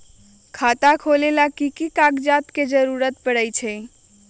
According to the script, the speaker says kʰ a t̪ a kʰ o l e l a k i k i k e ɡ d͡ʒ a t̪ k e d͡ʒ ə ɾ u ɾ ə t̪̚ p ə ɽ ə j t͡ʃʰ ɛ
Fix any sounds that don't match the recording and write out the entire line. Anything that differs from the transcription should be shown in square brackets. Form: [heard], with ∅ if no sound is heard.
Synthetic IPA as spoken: kʰ a t̪ a kʰ o l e l a k i k i k [a] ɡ d͡ʒ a t̪ k e d͡ʒ ə ɾ u ɾ ə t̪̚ p ə ɽ ə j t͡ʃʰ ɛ